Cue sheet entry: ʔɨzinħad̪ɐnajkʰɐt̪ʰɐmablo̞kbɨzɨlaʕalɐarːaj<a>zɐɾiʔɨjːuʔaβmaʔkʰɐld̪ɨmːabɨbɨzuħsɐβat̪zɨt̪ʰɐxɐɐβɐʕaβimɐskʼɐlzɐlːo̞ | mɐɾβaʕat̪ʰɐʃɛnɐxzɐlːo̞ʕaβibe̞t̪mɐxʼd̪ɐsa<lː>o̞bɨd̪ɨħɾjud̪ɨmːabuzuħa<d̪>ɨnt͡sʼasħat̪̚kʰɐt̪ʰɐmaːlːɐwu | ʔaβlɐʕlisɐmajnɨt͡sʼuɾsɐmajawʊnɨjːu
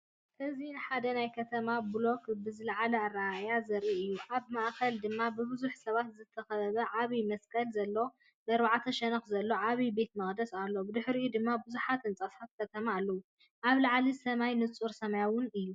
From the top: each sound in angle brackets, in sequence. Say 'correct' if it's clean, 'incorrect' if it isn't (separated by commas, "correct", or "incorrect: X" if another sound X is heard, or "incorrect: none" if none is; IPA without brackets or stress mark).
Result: correct, correct, incorrect: t̪